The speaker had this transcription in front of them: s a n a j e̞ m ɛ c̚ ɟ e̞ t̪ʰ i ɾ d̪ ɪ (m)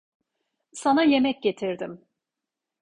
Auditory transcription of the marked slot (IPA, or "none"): m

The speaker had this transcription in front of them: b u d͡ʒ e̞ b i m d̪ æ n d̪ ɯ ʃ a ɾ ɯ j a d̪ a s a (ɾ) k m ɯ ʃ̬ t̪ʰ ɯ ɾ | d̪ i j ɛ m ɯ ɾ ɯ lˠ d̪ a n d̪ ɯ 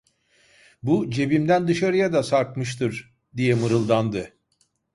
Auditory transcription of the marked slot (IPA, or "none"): ɾ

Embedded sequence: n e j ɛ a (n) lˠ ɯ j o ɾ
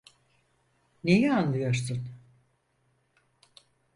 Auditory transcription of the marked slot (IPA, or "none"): n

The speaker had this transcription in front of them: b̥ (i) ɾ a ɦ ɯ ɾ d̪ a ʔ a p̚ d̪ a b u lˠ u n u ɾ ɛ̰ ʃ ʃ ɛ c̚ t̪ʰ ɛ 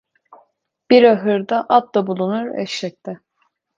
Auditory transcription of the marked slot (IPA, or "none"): i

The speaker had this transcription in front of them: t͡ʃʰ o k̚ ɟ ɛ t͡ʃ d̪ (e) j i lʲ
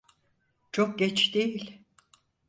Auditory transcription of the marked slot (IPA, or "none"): e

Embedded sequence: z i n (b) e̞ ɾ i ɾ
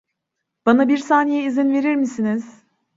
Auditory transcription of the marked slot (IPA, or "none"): v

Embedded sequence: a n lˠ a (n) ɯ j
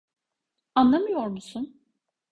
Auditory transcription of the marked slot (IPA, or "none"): m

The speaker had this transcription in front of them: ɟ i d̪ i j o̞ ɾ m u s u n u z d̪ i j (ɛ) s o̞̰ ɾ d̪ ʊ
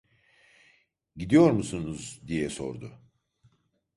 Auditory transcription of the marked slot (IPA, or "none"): ɛ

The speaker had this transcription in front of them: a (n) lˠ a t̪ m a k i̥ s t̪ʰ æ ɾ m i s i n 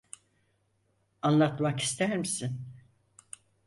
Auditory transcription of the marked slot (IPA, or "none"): n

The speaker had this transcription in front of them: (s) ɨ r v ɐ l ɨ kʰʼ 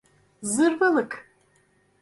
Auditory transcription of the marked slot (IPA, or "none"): z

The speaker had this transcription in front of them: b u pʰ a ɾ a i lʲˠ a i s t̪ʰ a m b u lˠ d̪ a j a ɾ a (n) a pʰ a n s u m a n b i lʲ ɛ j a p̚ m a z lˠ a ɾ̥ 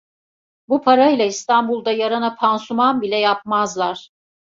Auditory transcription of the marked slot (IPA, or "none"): n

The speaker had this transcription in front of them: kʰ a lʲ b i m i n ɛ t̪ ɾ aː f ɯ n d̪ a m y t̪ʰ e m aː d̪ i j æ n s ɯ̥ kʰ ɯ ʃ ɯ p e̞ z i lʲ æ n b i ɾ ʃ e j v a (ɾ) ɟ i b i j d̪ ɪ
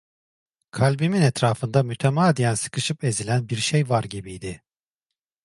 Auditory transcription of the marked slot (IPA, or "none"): ɾ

